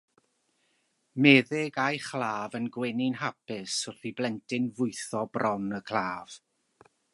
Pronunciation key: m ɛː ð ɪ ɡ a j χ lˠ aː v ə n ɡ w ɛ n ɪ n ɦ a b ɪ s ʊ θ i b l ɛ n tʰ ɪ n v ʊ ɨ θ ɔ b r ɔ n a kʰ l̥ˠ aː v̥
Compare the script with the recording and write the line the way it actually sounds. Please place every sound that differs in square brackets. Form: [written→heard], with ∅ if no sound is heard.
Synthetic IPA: m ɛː ð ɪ ɡ a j χ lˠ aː v ə n ɡ w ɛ n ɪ n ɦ a [b→p] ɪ s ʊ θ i b l ɛ n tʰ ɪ n v ʊ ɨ θ ɔ b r ɔ n [a→ə] kʰ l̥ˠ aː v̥

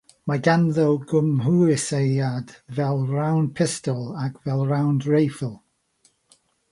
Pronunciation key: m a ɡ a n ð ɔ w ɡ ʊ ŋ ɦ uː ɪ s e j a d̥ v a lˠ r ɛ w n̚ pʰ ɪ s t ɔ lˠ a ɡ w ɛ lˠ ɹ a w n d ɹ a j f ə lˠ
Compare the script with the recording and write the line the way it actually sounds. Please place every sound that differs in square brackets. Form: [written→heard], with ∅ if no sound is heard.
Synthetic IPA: m a ɡ a n ð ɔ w ɡ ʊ [ŋ→m] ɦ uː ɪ s e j a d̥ v [a→ɛ] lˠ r [ɛ→a] w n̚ pʰ ɪ s t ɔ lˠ a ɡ [w→v] ɛ lˠ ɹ a w n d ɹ [a→e] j f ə lˠ

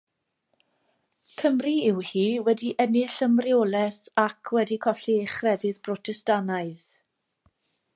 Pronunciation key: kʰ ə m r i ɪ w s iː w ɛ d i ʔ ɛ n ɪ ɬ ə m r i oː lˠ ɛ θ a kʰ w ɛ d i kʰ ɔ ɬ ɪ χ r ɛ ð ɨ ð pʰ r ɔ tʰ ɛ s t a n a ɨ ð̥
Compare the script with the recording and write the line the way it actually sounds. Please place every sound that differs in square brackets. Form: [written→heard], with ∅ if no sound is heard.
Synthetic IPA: kʰ ə m r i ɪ w [s→h] iː w ɛ d i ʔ ɛ n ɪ ɬ ə m r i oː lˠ ɛ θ a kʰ w ɛ d i kʰ ɔ ɬ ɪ χ r ɛ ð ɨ ð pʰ r ɔ tʰ ɛ s t a n a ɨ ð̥

